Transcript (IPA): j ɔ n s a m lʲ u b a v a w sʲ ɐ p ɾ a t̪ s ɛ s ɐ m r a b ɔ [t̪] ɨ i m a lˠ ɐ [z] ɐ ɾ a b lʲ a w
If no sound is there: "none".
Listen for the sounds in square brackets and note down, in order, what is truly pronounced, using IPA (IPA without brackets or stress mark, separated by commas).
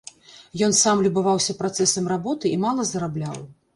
t̪, z